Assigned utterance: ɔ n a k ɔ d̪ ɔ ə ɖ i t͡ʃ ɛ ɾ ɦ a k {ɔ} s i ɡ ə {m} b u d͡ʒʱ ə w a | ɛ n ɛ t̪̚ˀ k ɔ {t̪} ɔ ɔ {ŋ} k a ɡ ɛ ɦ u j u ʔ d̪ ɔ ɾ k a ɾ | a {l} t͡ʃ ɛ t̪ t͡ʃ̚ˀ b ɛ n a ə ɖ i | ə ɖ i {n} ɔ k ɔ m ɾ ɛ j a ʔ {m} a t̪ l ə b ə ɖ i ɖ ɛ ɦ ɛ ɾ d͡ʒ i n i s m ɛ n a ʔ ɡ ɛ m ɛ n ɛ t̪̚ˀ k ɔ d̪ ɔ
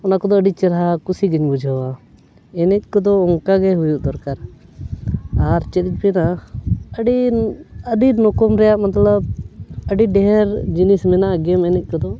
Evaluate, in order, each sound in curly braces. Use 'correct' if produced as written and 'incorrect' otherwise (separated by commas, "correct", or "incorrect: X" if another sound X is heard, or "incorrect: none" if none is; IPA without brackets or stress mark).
incorrect: u, incorrect: ɲ, incorrect: d̪, correct, incorrect: ɾ, correct, correct